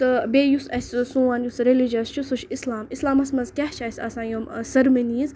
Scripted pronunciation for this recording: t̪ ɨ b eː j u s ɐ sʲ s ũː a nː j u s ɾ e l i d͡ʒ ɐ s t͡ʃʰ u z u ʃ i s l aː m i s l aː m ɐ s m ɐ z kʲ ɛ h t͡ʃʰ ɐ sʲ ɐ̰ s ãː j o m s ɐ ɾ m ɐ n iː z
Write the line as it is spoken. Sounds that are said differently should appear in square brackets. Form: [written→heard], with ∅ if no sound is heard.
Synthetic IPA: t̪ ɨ b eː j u s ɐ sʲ s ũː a [nː→n] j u s ɾ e l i d͡ʒ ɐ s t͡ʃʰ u [z→s] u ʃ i s l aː m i s l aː m ɐ s m ɐ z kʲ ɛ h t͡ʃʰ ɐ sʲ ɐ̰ s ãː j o m s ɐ ɾ m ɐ n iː z